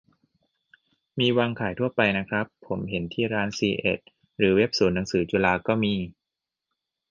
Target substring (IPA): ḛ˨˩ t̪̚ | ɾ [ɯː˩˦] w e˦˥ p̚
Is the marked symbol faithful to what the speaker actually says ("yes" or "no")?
yes